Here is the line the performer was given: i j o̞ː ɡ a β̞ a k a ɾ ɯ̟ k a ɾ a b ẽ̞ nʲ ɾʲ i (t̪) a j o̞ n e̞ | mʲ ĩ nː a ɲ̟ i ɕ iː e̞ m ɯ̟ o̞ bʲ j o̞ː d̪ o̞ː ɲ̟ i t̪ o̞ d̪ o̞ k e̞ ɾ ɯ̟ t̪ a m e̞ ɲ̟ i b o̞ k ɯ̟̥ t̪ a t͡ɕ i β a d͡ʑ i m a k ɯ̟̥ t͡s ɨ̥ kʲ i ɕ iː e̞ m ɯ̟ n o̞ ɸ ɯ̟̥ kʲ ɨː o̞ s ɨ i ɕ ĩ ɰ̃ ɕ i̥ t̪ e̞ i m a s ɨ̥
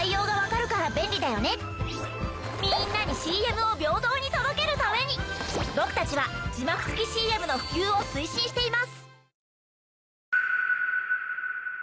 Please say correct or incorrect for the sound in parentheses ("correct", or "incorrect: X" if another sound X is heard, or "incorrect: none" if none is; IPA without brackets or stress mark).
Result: incorrect: d̪